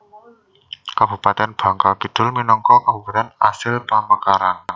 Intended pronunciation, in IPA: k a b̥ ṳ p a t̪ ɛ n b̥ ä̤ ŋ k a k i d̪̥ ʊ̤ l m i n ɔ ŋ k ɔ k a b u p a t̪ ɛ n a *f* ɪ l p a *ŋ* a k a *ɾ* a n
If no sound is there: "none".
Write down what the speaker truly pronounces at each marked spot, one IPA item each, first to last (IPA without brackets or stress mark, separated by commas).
s, m, ɾ